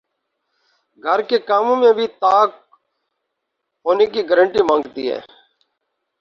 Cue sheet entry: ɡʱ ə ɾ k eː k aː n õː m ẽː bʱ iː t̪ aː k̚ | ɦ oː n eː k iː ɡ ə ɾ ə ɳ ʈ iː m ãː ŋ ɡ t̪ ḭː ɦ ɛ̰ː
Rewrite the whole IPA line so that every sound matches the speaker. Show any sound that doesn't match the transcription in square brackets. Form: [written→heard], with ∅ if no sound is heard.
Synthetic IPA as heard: ɡʱ ə ɾ k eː k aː [n→m] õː m ẽː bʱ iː t̪ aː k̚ | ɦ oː n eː k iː ɡ ə ɾ ə ɳ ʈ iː m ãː ŋ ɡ t̪ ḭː ɦ ɛ̰ː